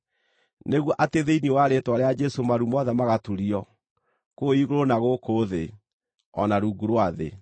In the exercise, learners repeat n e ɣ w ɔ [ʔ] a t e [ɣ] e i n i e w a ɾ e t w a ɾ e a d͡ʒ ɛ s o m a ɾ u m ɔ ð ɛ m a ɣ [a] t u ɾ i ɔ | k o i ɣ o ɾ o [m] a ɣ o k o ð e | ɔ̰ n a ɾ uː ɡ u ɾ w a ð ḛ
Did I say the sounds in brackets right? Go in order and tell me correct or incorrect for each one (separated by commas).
correct, incorrect, correct, incorrect